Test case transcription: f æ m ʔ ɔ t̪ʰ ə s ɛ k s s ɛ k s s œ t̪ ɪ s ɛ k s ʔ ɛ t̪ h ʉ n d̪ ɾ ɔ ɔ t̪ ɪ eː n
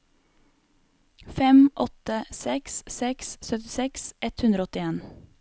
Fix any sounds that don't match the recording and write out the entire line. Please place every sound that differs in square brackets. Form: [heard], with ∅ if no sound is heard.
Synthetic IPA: f [ɛ] m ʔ ɔ [t̪] ə s ɛ k s s ɛ k s s œ t̪ ɪ s ɛ k s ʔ ɛ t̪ h ʉ n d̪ ɾ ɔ ɔ t̪ ɪ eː n

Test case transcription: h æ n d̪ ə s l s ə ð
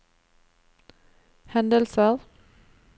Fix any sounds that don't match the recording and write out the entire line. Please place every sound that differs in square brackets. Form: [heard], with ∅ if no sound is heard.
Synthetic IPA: h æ n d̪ ə [∅] l s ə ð

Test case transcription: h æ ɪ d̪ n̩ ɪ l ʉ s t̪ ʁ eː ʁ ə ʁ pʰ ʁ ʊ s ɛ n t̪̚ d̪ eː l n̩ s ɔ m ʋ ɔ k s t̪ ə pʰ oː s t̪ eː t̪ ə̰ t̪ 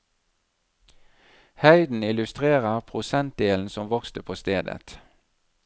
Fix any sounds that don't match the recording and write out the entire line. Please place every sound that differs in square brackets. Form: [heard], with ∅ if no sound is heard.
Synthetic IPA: h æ ɪ d̪ n̩ ɪ l ʉ s t̪ ʁ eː ʁ ə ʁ pʰ ʁ ʊ s ɛ n t̪̚ d̪ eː l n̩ s ɔ m ʋ ɔ k s t̪ ə pʰ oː s t̪ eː [d̪] ə̰ t̪

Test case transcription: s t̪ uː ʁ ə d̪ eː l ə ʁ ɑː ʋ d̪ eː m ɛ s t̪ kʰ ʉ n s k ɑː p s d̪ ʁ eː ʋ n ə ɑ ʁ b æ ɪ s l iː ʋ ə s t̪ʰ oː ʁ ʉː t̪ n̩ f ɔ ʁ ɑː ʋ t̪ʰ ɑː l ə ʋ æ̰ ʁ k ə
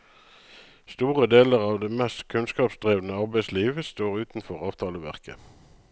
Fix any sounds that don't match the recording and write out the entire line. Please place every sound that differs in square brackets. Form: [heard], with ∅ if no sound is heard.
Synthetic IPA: s t̪ uː ʁ ə d̪ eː l ə ʁ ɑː ʋ d̪ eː m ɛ s t̪ kʰ ʉ n s k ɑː p s d̪ ʁ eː ʋ n ə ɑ ʁ b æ ɪ s l iː ʋ ə s [t̪] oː ʁ ʉː t̪ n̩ f ɔ ʁ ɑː ʋ t̪ʰ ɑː l ə ʋ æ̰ ʁ k ə

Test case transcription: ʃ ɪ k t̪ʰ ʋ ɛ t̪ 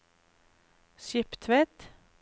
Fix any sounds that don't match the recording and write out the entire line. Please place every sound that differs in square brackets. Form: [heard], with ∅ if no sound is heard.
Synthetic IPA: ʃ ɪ [p] t̪ʰ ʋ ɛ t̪

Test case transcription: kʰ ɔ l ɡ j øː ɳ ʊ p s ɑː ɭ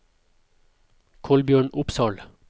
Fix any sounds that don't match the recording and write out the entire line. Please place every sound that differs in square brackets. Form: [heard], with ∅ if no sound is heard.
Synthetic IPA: kʰ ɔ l [b] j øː ɳ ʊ p s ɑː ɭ

